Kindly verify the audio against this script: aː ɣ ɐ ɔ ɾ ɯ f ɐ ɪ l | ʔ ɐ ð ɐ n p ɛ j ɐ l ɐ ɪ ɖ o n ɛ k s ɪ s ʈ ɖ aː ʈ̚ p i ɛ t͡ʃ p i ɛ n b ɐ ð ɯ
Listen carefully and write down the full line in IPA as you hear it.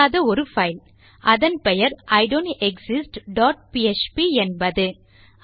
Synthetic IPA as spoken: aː ð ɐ ɔ ɾ ɯ f ɐ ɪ l | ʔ ɐ ð ɐ n p ɛ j ɐ ɾ ɐ ɪ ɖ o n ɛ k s ɪ s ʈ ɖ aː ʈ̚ p i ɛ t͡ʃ p i ɛ n b ɐ ð ɯ

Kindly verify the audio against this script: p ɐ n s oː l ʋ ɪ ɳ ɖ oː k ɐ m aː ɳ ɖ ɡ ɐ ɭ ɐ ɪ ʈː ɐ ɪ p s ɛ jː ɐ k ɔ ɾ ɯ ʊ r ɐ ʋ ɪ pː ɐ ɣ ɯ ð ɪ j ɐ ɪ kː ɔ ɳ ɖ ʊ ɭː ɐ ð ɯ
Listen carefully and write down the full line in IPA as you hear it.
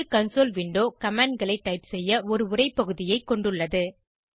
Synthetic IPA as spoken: k ɐ n s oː l ʋ ɪ ɳ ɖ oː k ɐ m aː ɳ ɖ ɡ ɐ ɭ ɐ ɪ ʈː ɐ ɪ p s ɛ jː ɐ ɔ ɾ ɯ ʊ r ɐ ɪ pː ɐ ɣ ɯ ð ɪ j ɐ ɪ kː ɔ ɳ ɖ ɯ ɭː ɐ ð ɯ

